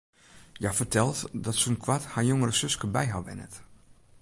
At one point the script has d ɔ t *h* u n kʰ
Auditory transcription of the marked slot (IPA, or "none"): s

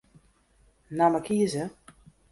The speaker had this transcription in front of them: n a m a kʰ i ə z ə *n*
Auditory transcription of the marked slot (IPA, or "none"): none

